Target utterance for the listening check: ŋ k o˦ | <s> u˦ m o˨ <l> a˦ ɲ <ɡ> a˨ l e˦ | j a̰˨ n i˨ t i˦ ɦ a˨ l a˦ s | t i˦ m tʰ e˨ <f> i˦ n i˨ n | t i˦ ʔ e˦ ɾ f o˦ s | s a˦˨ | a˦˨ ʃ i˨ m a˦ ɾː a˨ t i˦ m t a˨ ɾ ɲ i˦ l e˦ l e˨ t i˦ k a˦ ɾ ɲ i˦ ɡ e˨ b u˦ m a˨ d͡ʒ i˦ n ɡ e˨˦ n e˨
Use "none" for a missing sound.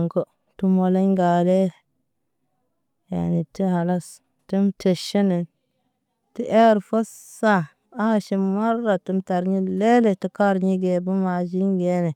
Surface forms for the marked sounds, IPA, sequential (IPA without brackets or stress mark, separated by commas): t, l, ɡ, ʃ